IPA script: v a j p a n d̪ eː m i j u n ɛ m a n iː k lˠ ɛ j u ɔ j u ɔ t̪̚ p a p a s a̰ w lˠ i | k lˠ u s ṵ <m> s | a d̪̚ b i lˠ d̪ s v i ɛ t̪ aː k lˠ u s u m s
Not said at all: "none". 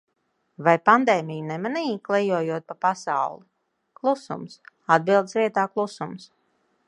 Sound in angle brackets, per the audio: m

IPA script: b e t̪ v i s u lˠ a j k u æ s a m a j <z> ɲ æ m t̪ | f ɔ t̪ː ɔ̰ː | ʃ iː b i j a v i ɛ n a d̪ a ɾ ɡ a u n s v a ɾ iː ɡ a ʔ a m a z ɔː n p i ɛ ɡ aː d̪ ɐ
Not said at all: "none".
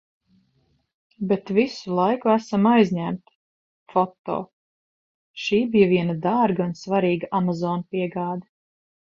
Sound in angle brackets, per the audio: z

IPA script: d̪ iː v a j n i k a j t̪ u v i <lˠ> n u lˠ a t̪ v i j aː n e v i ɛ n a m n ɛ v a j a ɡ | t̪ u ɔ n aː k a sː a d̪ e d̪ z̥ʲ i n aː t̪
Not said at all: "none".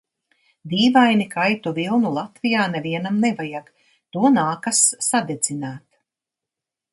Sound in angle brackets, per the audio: lˠ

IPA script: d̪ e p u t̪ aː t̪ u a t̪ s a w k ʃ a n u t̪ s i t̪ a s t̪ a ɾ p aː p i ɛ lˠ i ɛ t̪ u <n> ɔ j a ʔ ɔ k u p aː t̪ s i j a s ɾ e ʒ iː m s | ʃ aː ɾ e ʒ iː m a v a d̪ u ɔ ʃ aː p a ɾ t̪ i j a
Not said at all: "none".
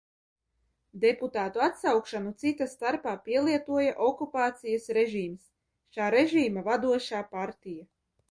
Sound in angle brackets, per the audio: none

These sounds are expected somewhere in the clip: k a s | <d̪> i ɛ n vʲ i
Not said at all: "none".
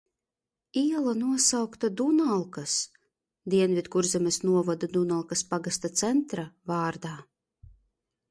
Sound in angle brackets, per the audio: d̪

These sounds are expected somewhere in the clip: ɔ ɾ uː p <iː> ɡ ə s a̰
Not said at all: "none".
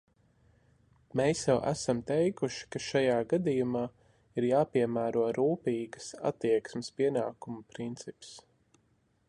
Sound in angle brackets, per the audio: iː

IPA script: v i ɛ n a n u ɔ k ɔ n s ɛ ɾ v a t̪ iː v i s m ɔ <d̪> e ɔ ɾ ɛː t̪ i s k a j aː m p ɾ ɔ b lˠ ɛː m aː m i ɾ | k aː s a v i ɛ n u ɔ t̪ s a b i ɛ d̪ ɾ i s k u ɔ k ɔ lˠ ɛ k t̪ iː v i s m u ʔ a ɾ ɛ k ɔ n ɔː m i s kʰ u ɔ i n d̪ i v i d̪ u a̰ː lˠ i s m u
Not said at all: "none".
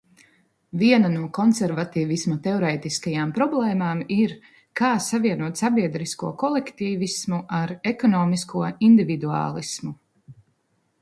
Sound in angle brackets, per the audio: t̪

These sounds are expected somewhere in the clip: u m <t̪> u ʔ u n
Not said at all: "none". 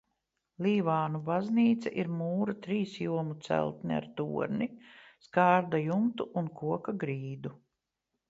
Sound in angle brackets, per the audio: t̪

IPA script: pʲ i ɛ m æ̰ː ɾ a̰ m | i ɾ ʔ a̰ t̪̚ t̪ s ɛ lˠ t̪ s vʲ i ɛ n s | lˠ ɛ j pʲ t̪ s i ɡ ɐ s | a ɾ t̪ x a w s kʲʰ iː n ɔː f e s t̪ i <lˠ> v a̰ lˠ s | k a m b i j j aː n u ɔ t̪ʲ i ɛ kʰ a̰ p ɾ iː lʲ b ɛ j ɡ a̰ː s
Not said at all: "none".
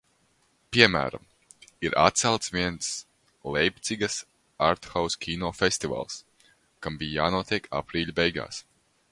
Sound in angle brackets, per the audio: none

